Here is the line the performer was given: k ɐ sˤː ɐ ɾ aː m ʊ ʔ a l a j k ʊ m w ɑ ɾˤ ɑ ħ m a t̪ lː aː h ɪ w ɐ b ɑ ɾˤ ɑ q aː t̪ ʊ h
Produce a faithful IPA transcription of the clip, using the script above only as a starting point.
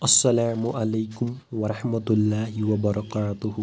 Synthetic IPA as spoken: ʔ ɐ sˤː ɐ l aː m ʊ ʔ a l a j k ʊ m w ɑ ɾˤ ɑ ħ m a t̪ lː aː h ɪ w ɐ b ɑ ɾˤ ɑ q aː t̪ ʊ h